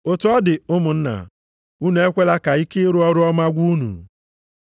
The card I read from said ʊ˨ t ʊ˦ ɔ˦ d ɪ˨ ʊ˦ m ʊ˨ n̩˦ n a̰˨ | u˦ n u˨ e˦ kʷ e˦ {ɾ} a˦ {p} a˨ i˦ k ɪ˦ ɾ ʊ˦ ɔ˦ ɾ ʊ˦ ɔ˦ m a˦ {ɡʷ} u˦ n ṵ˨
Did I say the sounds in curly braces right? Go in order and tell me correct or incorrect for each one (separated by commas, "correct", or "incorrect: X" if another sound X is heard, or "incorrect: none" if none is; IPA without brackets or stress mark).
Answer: incorrect: l, incorrect: k, correct